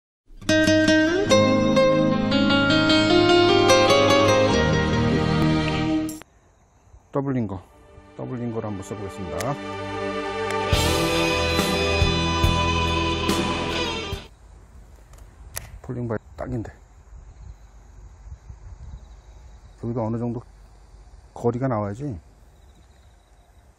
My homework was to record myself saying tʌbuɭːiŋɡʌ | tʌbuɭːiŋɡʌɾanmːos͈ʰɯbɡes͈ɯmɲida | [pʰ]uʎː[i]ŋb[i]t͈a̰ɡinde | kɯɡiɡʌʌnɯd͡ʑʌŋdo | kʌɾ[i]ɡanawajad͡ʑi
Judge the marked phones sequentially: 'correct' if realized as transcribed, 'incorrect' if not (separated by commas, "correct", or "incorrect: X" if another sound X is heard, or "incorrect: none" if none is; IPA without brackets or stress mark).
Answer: correct, correct, incorrect: a, correct